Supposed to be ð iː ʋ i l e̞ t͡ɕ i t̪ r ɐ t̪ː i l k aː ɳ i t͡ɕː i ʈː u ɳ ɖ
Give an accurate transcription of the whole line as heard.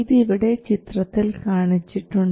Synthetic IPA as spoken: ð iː ʋ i ɽ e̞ t͡ɕ i t̪ r ɐ t̪ː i l k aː ɳ i t͡ɕː i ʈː u ɳ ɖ